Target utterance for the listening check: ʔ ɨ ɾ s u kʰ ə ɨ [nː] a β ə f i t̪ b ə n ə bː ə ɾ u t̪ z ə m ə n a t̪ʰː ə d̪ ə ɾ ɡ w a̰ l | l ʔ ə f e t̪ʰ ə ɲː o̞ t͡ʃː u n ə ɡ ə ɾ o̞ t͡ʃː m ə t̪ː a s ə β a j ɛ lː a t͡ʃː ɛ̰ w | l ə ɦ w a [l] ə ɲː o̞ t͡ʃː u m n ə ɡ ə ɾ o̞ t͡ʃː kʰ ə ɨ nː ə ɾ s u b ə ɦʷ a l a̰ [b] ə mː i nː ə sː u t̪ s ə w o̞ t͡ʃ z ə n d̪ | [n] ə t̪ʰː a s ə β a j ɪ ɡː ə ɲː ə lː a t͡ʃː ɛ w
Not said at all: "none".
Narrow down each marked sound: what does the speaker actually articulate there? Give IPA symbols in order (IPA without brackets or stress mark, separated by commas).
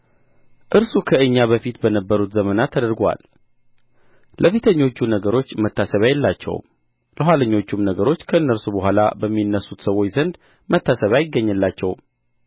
ɲː, l, b, m